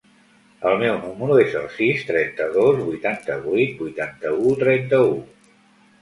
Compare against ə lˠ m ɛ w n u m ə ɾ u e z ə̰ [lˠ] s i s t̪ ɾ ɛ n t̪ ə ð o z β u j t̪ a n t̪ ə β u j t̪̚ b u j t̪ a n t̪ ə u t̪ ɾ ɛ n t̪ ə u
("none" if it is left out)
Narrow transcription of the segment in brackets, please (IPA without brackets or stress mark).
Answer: lˠ